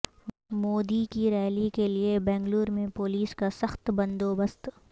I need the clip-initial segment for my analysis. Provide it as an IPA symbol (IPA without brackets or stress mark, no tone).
m